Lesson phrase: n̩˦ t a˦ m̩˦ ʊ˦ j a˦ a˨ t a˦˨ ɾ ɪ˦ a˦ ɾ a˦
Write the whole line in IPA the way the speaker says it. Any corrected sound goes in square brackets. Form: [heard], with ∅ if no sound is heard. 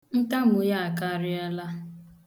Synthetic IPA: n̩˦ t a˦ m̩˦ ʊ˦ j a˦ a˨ [k] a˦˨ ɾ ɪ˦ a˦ [l] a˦

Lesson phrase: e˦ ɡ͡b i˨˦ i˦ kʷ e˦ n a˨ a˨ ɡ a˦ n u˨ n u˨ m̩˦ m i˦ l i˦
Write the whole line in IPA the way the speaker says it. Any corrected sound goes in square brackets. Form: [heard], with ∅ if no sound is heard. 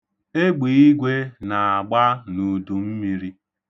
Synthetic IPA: e˦ ɡ͡b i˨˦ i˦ [ɡʷ] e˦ n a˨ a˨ [ɡ͡b] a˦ n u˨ [d] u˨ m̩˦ m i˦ [ɾ] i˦

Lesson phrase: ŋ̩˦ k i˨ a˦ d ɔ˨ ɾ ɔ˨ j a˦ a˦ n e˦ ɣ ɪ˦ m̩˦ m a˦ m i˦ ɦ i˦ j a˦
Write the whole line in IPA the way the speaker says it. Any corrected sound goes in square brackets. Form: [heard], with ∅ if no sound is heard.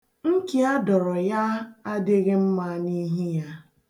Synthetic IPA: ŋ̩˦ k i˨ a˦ d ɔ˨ ɾ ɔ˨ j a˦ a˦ [d] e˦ ɣ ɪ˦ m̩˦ m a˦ [n] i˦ ɦ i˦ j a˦

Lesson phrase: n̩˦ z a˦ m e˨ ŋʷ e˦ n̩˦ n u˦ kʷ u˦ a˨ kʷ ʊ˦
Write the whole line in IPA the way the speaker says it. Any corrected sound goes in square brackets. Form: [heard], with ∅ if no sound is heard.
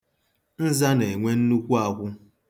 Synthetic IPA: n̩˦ z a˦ [n] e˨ ŋʷ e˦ n̩˦ n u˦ kʷ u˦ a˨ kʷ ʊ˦

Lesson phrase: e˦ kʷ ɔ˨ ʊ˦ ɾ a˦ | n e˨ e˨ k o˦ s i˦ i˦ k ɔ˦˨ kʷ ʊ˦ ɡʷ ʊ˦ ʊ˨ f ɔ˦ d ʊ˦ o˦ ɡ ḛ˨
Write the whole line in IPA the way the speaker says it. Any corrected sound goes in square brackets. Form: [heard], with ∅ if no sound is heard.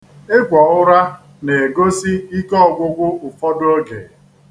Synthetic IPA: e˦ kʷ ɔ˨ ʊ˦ ɾ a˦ | n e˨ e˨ [ɡ] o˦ s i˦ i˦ k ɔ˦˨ [ɡʷ] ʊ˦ ɡʷ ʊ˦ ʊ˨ f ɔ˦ d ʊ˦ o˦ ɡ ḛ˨

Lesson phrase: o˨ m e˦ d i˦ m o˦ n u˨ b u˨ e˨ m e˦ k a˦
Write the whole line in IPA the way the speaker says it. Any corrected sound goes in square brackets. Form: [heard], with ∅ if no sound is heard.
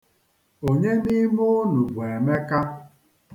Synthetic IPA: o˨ [ɲ] e˦ [n] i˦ m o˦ n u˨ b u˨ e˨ m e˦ k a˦

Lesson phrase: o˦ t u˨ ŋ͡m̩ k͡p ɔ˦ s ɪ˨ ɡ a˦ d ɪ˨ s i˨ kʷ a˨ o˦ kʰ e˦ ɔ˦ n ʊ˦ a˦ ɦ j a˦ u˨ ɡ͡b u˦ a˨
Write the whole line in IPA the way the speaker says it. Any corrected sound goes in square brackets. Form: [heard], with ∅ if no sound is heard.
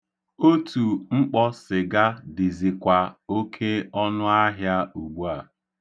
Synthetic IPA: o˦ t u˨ ŋ͡m̩ k͡p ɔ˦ s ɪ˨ ɡ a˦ d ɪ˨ [z] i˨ kʷ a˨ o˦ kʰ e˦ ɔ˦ n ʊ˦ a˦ ɦ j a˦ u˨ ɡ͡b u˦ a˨

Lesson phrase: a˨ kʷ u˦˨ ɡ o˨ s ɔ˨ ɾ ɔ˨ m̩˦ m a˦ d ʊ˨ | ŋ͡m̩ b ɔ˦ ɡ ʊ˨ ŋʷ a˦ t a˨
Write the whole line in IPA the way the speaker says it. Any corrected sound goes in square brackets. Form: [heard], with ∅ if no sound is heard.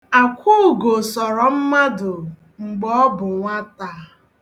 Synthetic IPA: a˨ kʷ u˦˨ ɡ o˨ s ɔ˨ ɾ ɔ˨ m̩˦ m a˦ d ʊ˨ | ŋ͡m̩ [ɡ͡b] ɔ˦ [b] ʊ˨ ŋʷ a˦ t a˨

